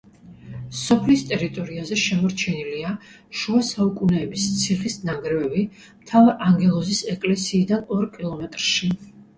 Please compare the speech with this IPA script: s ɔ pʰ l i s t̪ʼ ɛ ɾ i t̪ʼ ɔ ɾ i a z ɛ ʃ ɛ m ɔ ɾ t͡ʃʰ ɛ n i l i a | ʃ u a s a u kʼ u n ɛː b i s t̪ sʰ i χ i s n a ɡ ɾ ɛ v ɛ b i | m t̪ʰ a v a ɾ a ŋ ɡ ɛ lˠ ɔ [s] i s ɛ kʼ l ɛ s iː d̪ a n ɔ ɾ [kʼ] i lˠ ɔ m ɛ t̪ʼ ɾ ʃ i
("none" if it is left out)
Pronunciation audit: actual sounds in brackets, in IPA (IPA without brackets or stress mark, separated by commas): z, kʼ